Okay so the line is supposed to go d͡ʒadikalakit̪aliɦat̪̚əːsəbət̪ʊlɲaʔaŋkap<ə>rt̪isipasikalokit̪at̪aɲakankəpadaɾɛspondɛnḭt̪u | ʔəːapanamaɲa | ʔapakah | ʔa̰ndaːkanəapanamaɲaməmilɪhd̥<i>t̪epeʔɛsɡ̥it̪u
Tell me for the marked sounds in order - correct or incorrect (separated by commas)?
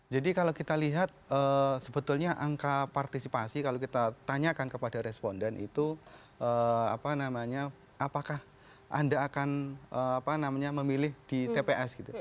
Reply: incorrect, correct